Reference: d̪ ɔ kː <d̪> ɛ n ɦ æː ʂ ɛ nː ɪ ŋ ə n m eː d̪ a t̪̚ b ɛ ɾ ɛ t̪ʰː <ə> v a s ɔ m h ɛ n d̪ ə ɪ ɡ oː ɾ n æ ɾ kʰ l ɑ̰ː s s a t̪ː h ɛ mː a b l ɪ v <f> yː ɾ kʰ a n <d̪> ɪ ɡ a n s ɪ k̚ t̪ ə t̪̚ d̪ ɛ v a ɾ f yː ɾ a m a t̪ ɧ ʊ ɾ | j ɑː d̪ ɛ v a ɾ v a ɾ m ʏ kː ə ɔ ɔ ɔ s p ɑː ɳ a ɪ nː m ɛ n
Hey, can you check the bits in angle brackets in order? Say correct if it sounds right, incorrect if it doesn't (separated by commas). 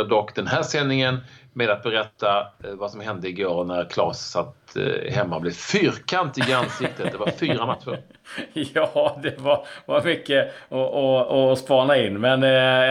correct, incorrect, correct, incorrect